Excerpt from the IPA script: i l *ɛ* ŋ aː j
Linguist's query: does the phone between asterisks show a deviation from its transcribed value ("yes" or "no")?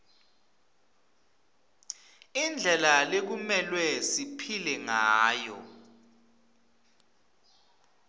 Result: no